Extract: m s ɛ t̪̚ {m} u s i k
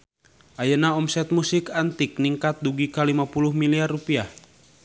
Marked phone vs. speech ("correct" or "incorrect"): correct